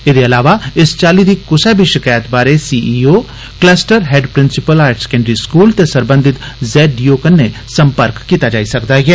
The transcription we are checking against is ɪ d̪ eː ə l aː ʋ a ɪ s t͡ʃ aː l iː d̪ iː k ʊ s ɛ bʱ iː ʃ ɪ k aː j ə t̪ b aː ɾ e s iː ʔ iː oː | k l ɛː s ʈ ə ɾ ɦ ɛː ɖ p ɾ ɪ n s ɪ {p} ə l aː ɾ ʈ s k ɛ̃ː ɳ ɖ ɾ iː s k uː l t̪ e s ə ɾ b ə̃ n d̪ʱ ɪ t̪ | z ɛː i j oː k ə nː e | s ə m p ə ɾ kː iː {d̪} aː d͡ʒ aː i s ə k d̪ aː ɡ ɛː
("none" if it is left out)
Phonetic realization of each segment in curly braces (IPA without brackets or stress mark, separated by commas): p, t̪